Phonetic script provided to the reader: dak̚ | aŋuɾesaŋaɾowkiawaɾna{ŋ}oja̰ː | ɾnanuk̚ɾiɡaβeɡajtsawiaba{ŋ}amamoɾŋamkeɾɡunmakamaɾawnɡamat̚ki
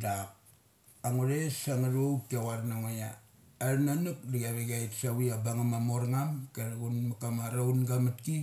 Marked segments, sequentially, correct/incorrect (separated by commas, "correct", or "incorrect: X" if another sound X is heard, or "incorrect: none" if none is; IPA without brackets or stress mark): correct, correct